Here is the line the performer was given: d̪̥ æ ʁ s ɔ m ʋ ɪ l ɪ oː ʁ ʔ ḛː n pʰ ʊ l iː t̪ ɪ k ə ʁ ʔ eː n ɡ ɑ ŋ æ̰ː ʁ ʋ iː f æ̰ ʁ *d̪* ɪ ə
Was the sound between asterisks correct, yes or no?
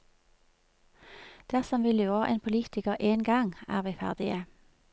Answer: yes